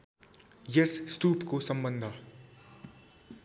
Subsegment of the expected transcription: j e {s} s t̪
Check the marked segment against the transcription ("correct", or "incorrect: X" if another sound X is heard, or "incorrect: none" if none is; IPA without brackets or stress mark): correct